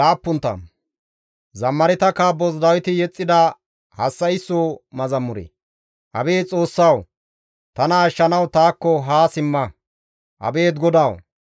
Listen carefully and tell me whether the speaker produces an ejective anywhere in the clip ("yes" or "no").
yes